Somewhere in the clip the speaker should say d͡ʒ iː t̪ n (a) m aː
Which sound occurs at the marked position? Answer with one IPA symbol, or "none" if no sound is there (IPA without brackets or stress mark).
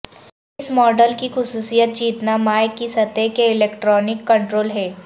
a